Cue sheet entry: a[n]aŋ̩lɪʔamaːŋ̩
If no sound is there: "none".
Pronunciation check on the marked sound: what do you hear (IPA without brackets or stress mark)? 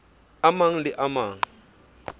m